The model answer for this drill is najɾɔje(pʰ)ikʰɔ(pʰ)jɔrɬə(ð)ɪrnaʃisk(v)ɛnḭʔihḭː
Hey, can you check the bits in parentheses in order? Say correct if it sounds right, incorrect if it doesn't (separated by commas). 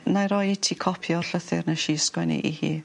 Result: incorrect, correct, incorrect, incorrect